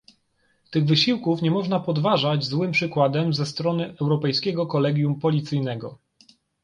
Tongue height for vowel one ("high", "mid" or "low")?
mid